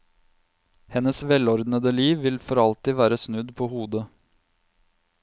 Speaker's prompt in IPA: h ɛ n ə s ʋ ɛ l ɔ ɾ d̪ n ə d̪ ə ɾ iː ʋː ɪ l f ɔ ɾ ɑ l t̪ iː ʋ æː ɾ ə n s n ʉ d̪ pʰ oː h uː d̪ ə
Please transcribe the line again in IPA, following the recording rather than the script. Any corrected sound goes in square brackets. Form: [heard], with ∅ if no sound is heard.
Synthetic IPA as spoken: h ɛ n ə s ʋ ɛ l ɔ ɾ d̪ n ə d̪ ə [l] iː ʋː ɪ l f ɔ ɾ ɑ l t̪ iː ʋ æː ɾ ə [∅] s n ʉ d̪ pʰ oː h uː d̪ ə